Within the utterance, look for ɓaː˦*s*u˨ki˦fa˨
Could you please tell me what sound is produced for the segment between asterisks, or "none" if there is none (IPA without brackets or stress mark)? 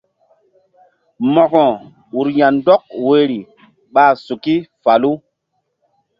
s